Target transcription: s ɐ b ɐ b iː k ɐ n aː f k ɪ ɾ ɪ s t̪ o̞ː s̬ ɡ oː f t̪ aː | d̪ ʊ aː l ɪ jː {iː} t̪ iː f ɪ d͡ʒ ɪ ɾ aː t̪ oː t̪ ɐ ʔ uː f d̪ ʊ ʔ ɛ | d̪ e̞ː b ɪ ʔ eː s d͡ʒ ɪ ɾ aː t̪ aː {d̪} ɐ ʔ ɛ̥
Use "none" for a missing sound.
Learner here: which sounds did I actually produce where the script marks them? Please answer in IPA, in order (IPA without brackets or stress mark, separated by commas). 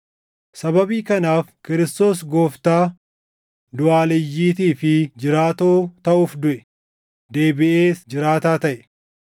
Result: iː, t̪